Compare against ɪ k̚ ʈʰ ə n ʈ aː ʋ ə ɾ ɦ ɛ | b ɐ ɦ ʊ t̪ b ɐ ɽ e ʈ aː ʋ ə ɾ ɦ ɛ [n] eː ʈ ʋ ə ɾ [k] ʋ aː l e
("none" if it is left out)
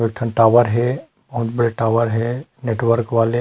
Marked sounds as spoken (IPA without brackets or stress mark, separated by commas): n, k